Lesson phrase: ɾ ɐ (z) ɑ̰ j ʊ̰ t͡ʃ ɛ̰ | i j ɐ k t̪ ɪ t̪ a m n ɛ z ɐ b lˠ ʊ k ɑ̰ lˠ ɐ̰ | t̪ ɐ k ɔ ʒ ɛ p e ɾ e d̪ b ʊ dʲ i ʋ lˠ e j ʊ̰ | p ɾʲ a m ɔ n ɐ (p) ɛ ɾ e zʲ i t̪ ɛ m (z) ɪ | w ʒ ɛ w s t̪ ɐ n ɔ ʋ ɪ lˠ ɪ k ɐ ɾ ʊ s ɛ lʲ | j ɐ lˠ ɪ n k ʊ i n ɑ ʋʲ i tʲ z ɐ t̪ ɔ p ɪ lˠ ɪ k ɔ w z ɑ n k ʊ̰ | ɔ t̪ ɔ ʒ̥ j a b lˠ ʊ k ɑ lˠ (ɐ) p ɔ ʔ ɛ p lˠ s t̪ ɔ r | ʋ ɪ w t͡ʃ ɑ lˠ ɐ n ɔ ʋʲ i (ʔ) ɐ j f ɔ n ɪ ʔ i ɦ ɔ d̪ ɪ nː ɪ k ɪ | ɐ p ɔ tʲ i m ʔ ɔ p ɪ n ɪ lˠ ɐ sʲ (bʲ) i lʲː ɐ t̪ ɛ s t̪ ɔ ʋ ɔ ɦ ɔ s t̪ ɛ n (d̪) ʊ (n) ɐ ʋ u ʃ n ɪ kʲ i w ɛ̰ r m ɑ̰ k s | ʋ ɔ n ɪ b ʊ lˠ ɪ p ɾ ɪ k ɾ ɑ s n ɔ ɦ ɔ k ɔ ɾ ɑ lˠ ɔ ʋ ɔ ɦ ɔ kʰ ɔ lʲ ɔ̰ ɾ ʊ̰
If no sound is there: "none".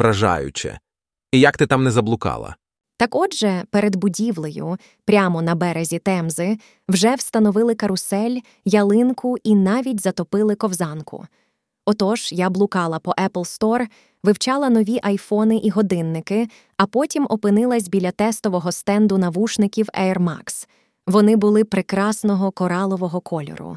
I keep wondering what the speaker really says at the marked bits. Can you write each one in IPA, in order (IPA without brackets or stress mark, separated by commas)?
ʒ, b, z, ɐ, ʔ, bʲ, d̪, n